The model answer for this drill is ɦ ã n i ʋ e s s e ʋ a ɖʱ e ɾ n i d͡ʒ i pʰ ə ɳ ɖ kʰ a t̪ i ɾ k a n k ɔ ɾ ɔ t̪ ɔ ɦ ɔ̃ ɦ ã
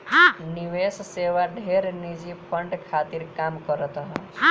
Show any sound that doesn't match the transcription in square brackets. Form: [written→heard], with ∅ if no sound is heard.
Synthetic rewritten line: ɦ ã n i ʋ e s s e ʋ a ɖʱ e ɾ n i d͡ʒ i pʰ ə ɳ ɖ kʰ a t̪ i ɾ k a [n→m] k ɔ ɾ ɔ t̪ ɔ ɦ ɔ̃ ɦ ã

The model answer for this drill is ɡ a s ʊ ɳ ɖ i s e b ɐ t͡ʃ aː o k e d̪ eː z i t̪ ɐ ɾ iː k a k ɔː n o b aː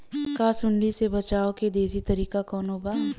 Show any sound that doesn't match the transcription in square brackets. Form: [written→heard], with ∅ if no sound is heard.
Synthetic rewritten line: [ɡ→k] a s ʊ ɳ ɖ i s e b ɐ t͡ʃ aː o k e d̪ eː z i t̪ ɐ ɾ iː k a k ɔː n o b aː

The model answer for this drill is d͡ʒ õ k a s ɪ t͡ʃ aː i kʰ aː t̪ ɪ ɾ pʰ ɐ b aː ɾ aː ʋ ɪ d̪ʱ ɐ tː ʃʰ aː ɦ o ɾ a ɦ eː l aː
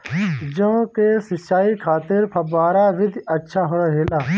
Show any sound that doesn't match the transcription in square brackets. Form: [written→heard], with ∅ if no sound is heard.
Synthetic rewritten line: d͡ʒ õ k [a→e] s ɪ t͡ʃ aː i kʰ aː t̪ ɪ ɾ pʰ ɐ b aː ɾ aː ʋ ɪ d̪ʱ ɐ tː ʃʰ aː ɦ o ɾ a ɦ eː l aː

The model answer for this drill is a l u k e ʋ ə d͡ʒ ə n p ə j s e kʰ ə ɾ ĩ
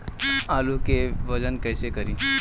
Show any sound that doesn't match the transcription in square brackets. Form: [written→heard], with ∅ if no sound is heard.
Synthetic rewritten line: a l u k e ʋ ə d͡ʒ ə n [p→k] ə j s e [kʰ→k] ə ɾ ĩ

